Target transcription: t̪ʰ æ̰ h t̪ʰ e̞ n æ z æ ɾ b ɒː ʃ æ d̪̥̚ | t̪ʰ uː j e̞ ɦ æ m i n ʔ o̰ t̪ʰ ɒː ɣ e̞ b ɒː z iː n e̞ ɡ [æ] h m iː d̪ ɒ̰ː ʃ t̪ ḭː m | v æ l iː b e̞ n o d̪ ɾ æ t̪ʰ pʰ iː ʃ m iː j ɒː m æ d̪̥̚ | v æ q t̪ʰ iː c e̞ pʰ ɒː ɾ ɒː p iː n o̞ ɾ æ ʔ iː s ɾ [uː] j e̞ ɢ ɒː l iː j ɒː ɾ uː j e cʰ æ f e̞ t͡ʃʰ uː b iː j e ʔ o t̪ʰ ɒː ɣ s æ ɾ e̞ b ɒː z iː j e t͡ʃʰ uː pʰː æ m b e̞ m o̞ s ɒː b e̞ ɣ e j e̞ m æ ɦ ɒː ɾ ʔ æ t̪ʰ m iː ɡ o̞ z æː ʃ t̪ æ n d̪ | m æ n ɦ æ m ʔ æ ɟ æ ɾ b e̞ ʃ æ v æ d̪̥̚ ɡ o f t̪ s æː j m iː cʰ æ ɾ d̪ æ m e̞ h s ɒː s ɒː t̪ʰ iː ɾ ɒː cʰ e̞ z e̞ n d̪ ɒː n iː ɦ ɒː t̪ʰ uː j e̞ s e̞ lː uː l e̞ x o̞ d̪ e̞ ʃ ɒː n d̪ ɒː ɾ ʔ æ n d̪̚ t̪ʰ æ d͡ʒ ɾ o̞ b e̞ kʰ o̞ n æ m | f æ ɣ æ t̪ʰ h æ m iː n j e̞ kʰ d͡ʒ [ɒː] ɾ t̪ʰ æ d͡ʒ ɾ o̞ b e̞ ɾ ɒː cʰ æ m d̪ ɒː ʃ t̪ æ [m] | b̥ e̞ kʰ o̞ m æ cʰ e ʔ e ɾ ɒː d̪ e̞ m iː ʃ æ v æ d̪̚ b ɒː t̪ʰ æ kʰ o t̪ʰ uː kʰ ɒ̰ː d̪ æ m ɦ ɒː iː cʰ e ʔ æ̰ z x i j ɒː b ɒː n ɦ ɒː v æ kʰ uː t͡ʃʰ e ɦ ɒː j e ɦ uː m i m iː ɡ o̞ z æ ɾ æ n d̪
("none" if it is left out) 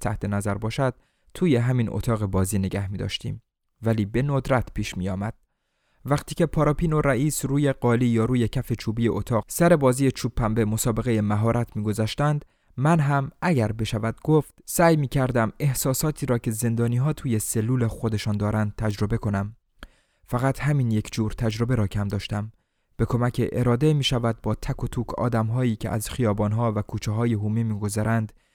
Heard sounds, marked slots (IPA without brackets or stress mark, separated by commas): æ, uː, uː, m